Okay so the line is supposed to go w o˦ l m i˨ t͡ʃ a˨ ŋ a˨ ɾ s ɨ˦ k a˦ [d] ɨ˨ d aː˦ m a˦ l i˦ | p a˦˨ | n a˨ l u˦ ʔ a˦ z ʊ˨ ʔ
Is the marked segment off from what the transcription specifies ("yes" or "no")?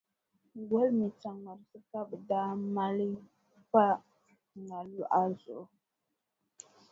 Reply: yes